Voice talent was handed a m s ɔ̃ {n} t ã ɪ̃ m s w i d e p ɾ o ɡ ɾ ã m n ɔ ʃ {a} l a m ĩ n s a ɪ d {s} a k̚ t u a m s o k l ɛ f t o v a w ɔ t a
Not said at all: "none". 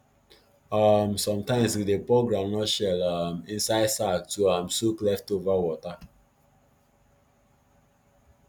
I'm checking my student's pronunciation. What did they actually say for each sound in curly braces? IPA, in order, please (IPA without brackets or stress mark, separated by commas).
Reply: m, ɛ, s